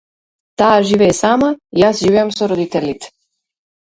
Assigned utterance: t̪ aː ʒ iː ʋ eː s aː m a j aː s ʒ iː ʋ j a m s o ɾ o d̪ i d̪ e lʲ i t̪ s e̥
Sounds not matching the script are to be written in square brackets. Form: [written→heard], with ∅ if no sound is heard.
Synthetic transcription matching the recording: t̪ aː ʒ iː ʋ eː s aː m a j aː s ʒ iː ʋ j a m s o ɾ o d̪ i [d̪→t̪] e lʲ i t̪ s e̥